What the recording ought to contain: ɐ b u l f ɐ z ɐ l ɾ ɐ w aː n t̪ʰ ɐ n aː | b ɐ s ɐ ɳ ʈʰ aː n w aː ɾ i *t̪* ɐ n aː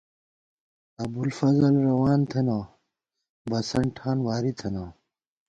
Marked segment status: incorrect: t̪ʰ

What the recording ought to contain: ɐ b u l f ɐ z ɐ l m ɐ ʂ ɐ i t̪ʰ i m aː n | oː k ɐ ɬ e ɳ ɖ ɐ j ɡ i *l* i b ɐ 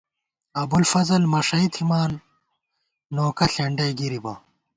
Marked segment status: incorrect: ɾ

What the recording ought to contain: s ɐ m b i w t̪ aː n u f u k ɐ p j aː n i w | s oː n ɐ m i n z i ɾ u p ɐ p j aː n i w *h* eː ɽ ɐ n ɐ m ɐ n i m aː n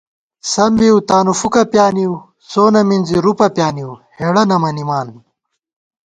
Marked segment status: correct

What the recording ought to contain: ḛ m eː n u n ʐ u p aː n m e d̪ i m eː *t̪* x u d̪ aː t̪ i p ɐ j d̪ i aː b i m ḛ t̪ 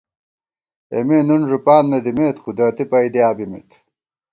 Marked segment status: correct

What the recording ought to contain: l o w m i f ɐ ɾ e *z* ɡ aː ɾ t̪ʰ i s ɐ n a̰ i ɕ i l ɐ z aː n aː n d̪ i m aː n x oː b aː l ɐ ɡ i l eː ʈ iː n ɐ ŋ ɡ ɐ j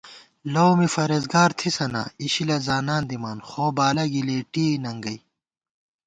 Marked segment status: correct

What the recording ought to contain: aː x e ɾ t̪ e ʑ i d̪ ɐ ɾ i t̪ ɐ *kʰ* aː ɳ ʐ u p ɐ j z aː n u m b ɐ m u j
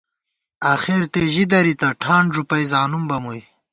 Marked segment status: incorrect: ʈʰ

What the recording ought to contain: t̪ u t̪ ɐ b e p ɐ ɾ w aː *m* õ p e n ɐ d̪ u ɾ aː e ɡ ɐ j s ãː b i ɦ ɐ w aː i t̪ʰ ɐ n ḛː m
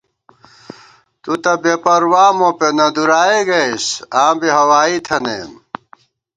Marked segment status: correct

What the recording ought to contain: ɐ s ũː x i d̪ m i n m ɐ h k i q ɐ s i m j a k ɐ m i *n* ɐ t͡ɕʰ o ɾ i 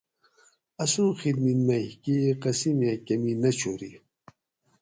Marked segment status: correct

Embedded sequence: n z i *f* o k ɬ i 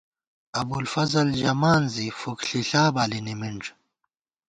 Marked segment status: correct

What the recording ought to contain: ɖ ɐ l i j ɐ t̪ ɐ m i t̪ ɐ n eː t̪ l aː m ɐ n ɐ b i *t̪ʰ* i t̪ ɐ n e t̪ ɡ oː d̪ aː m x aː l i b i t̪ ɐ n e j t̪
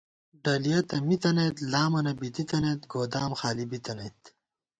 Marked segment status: incorrect: t̪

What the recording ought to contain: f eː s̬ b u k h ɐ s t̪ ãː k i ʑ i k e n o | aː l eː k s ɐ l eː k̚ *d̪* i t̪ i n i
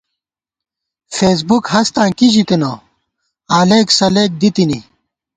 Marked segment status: correct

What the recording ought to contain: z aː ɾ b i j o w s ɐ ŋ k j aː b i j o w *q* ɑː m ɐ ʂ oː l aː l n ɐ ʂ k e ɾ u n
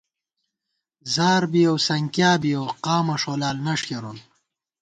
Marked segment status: correct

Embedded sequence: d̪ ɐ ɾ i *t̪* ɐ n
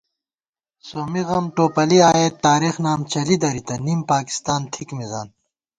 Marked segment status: correct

